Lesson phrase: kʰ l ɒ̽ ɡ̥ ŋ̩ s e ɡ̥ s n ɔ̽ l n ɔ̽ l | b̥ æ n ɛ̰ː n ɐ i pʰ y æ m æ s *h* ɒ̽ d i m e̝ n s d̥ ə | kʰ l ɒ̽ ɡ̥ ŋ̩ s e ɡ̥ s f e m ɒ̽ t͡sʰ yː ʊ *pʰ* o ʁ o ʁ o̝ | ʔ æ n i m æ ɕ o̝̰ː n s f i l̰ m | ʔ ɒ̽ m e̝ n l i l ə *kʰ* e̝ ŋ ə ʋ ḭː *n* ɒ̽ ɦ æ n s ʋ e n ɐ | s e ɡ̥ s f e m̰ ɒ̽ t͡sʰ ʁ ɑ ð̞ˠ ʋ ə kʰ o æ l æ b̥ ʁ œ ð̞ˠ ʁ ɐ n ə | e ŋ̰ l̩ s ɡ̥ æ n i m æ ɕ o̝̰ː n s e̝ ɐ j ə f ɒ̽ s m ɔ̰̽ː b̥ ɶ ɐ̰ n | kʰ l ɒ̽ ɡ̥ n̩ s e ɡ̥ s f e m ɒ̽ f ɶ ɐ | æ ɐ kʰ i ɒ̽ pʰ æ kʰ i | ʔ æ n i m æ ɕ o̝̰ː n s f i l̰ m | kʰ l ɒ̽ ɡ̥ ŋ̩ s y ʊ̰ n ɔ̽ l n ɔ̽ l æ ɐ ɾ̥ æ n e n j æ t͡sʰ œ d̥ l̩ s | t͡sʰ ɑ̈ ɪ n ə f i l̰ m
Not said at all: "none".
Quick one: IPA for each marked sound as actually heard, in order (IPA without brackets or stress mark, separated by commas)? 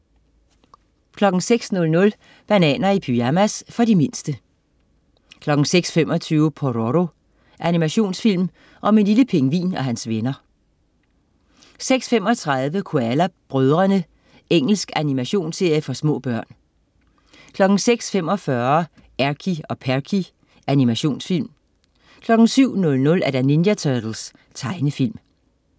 f, pʰ, pʰ, n